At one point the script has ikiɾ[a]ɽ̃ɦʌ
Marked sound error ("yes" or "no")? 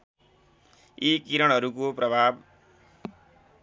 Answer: yes